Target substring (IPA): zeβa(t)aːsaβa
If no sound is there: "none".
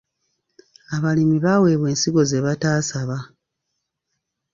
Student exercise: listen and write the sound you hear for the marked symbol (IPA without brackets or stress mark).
t